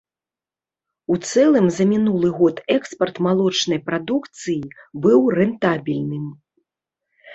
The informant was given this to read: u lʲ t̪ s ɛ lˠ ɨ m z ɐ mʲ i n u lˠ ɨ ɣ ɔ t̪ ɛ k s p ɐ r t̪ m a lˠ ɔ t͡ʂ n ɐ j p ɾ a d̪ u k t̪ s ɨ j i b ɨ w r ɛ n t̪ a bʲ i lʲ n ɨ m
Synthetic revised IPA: u t̪ s ɛ lˠ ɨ m z ɐ mʲ i n u lˠ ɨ ɣ ɔ t̪ ɛ k s p ɐ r t̪ m a lˠ ɔ t͡ʂ n ɐ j p ɾ a d̪ u k t̪ s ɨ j i b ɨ w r ɛ n t̪ a bʲ i lʲ n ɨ m